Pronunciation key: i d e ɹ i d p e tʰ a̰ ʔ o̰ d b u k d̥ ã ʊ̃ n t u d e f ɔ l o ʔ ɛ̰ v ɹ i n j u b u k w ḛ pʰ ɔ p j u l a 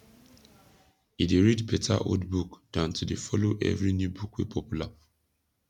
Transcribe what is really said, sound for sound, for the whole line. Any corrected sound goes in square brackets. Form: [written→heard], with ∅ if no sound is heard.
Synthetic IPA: i d e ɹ i d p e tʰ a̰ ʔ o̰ d b u k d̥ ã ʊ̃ n t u d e f ɔ l o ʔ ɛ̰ v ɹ i n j u b u k w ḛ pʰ ɔ p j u l a